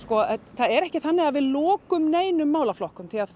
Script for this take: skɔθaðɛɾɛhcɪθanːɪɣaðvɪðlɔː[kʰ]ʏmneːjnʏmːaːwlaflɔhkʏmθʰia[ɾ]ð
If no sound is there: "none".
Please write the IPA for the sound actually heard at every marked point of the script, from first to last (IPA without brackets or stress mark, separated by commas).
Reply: k, none